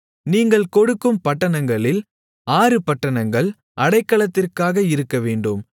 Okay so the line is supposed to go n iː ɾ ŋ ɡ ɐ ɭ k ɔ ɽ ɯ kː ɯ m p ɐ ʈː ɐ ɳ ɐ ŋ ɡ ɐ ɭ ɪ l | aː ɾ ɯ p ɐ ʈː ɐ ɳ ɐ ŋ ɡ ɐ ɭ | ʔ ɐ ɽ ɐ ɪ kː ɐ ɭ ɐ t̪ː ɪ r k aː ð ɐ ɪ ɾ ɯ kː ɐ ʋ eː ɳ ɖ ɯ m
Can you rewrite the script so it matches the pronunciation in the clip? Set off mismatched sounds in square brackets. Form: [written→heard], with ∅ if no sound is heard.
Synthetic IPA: n iː [ɾ→∅] ŋ ɡ ɐ ɭ k ɔ ɽ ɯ kː ɯ m p ɐ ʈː ɐ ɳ ɐ ŋ ɡ ɐ ɭ ɪ l | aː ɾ ɯ p ɐ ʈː ɐ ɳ ɐ ŋ ɡ ɐ ɭ | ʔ ɐ ɽ ɐ ɪ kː ɐ ɭ ɐ t̪ː ɪ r k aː [ð→ɣ] ɐ ɪ ɾ ɯ kː ɐ ʋ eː ɳ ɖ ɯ m